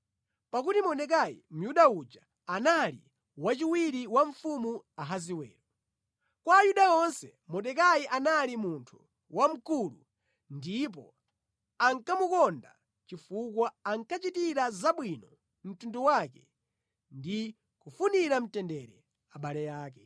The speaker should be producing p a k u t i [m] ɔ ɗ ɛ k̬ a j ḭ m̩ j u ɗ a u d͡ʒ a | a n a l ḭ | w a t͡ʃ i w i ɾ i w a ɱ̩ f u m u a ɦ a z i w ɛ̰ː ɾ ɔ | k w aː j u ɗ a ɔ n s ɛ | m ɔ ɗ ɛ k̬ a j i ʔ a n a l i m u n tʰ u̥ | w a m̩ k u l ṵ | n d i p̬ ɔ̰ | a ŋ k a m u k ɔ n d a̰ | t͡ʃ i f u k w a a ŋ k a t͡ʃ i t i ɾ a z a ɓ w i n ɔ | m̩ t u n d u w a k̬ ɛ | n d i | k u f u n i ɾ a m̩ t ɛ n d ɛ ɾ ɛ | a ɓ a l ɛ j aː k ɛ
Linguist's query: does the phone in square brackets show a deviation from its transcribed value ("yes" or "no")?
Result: no